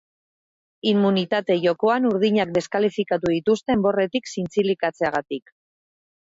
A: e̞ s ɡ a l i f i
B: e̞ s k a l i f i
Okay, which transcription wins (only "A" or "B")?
B